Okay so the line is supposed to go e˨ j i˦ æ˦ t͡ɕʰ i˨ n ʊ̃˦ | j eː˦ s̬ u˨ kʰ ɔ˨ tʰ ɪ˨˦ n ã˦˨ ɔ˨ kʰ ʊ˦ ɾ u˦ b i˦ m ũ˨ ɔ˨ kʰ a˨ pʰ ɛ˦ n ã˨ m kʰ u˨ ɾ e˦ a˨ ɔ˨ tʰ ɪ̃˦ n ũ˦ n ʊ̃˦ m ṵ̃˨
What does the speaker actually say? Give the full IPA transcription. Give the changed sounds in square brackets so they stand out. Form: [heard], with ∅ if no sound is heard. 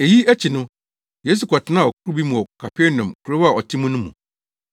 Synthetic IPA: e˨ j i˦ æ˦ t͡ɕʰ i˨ n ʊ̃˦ | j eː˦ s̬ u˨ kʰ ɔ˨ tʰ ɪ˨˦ n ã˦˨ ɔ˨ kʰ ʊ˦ ɾ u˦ b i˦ m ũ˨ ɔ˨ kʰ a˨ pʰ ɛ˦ n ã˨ m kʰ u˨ ɾ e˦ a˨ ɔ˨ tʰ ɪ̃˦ [m] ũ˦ n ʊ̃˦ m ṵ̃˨